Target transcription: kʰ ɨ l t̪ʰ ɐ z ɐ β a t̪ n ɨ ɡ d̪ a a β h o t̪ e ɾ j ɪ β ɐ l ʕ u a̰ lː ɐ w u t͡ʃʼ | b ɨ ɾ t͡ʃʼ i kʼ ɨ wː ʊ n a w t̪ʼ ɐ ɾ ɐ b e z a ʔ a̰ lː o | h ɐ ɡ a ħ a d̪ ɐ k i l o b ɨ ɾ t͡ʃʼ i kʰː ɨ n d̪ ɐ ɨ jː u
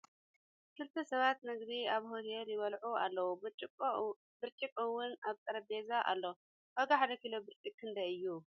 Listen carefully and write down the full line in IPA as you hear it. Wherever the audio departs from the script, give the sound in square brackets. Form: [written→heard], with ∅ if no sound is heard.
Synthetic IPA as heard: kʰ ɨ l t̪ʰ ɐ [z→s] ɐ β a t̪ n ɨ ɡ d̪ [a→i] a β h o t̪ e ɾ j ɪ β ɐ l ʕ u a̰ lː ɐ w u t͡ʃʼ | b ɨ ɾ t͡ʃʼ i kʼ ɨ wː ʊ n a [w→β] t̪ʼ ɐ ɾ ɐ b e z a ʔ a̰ lː o | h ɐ ɡ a ħ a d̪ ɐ k i l o b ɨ ɾ t͡ʃʼ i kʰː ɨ n d̪ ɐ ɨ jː u

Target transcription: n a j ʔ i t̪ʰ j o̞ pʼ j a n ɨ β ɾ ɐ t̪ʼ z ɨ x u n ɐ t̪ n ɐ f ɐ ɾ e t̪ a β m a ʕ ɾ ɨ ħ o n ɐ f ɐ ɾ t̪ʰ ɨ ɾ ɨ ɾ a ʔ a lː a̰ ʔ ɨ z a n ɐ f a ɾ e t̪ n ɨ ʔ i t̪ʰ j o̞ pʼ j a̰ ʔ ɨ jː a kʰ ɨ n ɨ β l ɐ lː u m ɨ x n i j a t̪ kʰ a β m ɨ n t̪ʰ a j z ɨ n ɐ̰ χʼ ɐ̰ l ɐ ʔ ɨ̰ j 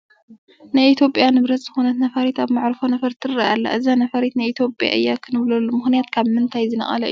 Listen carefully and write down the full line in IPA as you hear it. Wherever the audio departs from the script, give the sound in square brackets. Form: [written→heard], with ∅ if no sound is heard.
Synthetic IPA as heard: n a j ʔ i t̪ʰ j o̞ pʼ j a n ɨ β ɾ ɐ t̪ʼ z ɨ x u n ɐ t̪ n ɐ f ɐ ɾ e t̪ a β m a ʕ ɾ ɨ [ħ→f] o n ɐ f ɐ ɾ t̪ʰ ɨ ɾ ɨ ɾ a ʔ a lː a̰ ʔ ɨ z a n ɐ f [a→ɐ] ɾ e t̪ n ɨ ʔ i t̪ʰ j o̞ pʼ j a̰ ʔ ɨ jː a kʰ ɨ n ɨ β l ɐ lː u m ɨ x n i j a t̪ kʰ a β m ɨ n t̪ʰ a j z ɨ n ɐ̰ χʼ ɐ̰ l ɐ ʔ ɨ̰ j

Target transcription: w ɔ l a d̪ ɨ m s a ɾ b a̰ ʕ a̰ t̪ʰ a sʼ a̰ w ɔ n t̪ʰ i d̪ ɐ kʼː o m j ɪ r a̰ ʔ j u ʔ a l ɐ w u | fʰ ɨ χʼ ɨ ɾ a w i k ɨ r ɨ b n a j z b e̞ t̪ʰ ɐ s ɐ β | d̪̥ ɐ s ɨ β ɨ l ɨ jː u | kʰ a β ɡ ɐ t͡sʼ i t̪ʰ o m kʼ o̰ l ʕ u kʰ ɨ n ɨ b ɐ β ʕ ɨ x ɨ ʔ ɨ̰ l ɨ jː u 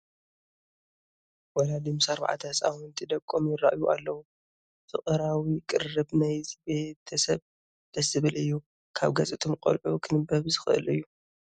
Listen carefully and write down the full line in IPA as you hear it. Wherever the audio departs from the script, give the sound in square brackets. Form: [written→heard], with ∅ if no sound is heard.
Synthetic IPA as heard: w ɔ l a d̪ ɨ m s a ɾ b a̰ ʕ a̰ t̪ʰ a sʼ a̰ w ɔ n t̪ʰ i d̪ ɐ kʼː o m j ɪ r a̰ ʔ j u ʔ a [l→lː] ɐ w u | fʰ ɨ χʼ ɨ ɾ a w i [k→kʼ] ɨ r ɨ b n a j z b e̞ t̪ʰ ɐ s ɐ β | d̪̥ ɐ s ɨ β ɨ l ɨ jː u | kʰ a β ɡ ɐ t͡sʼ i t̪ʰ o m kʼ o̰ l ʕ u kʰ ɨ n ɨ b ɐ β [ʕ→z] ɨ x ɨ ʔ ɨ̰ l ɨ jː u

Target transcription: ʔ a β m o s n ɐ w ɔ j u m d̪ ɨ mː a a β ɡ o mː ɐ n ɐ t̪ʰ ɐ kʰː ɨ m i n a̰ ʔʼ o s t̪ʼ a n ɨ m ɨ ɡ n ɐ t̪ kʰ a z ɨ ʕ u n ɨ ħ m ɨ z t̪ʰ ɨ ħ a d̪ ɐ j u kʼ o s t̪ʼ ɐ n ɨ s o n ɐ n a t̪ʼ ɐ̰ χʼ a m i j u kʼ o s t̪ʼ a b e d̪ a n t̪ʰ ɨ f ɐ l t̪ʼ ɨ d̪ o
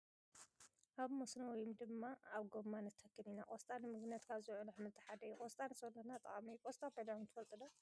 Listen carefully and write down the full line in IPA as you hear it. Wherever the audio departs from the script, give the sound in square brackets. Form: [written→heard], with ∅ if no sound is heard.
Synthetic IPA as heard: ʔ a β m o s n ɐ w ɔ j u m d̪ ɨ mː a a β ɡ o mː [ɐ→a] n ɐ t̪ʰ ɐ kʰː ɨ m i n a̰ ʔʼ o s t̪ʼ a n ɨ m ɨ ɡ n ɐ t̪ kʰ a z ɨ ʕ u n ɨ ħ m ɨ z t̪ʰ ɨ ħ a d̪ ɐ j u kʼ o s t̪ʼ [ɐ→a] n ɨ s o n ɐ n a t̪ʼ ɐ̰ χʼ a m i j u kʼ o s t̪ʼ a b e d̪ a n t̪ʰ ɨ f ɐ l t̪ʼ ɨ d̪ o

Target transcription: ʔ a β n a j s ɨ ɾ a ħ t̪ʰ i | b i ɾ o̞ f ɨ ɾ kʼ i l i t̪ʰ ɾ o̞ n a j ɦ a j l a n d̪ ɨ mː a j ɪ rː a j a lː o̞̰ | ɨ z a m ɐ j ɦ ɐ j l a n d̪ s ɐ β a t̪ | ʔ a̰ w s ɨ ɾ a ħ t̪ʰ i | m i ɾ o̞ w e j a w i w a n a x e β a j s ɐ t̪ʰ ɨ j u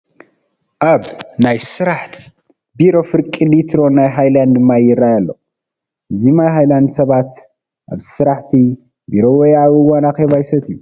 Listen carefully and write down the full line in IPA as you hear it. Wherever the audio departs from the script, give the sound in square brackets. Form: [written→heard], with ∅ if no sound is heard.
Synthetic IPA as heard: ʔ a β n a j s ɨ ɾ a ħ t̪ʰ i | b i ɾ o̞ f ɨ ɾ kʼ i l i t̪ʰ ɾ o̞ n a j ɦ a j l a n d̪ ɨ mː a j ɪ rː a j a lː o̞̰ | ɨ z [a→i] m [ɐ→a] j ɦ [ɐ→a] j l a n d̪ s ɐ β a t̪ | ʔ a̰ [w→β] s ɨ ɾ a ħ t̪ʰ i | [m→b] i ɾ o̞ w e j a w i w a n a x e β a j s ɐ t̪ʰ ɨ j u

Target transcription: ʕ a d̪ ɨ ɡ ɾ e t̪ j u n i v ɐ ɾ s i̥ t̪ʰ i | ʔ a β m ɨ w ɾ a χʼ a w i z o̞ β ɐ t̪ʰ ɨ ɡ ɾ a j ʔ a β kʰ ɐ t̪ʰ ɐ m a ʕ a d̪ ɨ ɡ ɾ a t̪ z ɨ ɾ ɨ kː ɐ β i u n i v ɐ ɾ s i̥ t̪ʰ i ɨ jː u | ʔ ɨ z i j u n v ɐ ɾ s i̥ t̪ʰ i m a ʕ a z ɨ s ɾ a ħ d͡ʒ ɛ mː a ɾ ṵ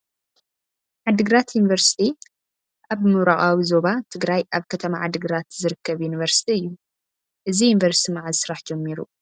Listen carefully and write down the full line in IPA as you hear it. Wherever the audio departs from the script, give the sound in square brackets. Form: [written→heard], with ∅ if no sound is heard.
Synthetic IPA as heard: ʕ a d̪ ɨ ɡ ɾ [e→a] t̪ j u n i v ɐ ɾ s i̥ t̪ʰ i | ʔ a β m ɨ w ɾ a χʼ a w i z o̞ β [ɐ→a] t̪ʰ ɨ ɡ ɾ a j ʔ a β kʰ ɐ t̪ʰ ɐ m a ʕ a d̪ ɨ ɡ ɾ a t̪ z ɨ ɾ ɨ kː ɐ β [i→j] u n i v ɐ ɾ s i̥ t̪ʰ i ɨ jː u | ʔ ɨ z i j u n v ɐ ɾ s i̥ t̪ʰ i m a ʕ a z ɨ s ɾ a ħ d͡ʒ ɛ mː [a→i] ɾ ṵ

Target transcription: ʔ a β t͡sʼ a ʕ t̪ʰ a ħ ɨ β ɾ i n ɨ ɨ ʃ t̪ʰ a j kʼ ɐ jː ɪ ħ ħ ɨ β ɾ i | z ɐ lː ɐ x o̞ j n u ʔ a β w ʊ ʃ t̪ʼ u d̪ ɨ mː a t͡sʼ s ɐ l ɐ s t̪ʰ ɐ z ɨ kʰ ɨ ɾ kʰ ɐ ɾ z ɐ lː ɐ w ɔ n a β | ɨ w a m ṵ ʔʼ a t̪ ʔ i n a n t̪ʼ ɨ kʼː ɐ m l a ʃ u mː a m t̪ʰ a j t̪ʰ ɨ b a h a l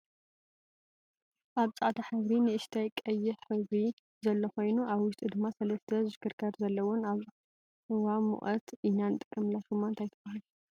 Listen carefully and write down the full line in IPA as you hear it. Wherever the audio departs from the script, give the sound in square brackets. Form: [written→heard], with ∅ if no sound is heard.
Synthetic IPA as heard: ʔ a β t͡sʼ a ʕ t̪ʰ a ħ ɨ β ɾ i n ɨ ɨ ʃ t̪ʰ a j kʼ ɐ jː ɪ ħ ħ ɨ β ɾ i | z ɐ lː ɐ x o̞ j n u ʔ a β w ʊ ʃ t̪ʼ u d̪ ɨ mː a [t͡sʼ→∅] s ɐ l ɐ s t̪ʰ ɐ z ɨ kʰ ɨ ɾ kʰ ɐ ɾ z ɐ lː ɐ w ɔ n a β | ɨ w a m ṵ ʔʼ [a→ɐ] t̪ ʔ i n a n t̪ʼ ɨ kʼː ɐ m l a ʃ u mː a [m→n] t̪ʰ a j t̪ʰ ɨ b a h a l

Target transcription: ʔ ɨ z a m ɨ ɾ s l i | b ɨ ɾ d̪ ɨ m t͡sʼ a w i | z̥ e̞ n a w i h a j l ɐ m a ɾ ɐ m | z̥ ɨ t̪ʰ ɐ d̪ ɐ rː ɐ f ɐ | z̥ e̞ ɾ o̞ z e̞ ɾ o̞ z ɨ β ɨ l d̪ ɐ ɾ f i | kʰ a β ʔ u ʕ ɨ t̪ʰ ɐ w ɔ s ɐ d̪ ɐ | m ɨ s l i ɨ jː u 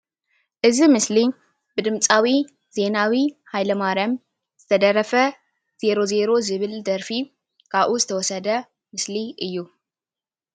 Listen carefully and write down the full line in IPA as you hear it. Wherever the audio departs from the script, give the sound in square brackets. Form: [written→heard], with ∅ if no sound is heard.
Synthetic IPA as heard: ʔ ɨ z [a→i] m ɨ [ɾ→∅] s l i | b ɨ [ɾ→∅] d̪ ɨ m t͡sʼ a w i | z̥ e̞ n a w i h a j l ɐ m a ɾ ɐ m | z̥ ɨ t̪ʰ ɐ d̪ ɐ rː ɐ f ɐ | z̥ e̞ ɾ o̞ z e̞ ɾ o̞ z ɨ β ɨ l d̪ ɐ ɾ f i | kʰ a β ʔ u [ʕ→z] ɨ t̪ʰ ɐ w ɔ s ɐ d̪ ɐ | m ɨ s l i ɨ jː u

